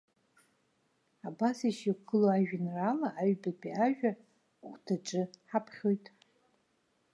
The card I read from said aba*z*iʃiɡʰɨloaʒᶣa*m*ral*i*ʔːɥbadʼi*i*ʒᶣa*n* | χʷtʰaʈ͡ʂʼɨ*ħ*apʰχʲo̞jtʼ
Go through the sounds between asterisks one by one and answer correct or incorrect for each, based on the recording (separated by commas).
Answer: incorrect, incorrect, incorrect, incorrect, incorrect, correct